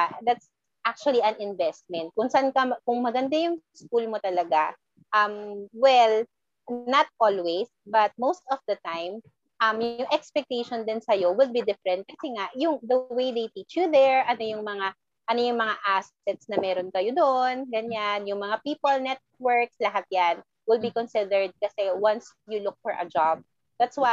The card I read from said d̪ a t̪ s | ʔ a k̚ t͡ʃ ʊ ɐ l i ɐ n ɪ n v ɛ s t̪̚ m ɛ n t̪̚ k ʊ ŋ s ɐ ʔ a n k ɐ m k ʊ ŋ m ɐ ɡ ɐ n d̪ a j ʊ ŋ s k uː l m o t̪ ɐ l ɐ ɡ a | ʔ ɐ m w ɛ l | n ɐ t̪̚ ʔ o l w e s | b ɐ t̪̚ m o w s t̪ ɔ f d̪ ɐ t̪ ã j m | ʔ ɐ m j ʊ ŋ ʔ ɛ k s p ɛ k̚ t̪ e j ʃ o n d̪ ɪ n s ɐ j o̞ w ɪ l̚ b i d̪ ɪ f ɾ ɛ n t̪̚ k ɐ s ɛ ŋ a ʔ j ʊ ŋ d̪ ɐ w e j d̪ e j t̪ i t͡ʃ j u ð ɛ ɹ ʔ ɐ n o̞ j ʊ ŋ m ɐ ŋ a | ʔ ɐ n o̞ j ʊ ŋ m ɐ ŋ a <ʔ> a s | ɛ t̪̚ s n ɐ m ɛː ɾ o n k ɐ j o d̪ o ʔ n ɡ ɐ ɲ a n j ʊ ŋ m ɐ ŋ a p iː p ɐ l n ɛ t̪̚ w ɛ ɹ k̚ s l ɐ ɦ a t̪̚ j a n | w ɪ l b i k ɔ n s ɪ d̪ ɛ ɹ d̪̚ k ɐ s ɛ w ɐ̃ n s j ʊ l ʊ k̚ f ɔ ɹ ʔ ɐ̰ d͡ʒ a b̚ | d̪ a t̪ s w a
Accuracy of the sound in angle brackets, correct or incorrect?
correct